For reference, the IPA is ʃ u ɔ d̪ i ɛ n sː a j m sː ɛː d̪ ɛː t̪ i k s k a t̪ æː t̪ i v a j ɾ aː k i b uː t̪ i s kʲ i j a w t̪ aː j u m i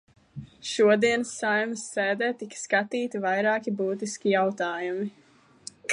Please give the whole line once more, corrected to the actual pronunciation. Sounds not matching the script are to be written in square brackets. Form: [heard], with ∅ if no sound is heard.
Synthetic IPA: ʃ u ɔ d̪ i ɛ n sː a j m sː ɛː d̪ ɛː t̪ i k s k a t̪ [iː] t̪ i v a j ɾ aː k i b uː t̪ i s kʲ i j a w t̪ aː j u m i